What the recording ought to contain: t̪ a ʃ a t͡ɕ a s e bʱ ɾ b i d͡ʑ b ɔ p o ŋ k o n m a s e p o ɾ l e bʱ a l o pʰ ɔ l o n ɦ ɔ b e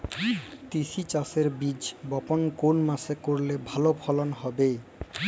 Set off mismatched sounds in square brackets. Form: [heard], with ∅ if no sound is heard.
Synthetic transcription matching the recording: t̪ [i] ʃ [i] t͡ɕ a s e [∅] ɾ b i d͡ʑ b ɔ p o [n] k o n m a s e [k] o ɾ l e bʱ a l o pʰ ɔ l o n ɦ ɔ b e